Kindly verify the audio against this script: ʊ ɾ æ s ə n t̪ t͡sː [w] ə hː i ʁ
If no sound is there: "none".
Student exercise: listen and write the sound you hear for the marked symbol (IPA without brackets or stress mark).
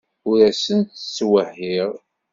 w